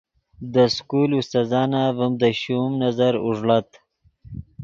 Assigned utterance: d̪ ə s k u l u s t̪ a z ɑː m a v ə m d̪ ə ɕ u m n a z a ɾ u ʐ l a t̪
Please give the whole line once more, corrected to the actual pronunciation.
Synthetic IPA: d̪ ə s k u l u s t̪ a z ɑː n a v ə m d̪ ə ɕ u m n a z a ɾ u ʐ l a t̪